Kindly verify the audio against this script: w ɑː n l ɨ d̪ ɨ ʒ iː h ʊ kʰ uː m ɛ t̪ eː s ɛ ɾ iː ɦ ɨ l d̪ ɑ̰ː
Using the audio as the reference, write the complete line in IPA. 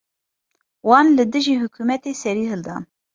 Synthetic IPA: w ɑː n l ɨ d̪ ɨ ʒ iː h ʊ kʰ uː m ɛ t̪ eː s ɛ ɾ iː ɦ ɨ l d̪ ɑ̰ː